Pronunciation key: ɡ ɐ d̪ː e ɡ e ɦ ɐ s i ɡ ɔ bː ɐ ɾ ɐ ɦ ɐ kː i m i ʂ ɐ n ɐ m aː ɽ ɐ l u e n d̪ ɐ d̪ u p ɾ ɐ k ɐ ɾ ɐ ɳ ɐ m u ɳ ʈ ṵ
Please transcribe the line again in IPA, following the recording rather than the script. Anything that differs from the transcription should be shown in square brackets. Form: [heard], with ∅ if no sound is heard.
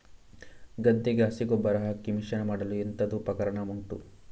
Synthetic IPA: ɡ ɐ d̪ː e ɡ e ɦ ɐ s i ɡ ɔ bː ɐ ɾ ɐ ɦ ɐ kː i m i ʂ ɐ n ɐ m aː ɽ ɐ l u e n [t̪] ɐ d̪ u p ɾ ɐ k ɐ ɾ ɐ ɳ ɐ m u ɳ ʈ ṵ